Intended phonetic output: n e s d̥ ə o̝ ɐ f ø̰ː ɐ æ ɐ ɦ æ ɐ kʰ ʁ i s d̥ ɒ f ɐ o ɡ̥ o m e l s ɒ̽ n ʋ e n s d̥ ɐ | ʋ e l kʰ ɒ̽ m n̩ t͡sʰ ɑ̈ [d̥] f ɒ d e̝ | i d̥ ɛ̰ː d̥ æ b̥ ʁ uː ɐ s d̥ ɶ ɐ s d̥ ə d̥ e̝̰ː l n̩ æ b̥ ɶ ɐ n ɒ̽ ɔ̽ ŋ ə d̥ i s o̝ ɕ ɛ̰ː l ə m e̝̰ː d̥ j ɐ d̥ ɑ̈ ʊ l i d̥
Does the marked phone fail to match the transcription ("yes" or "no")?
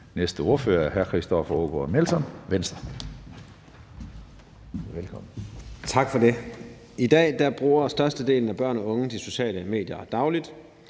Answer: yes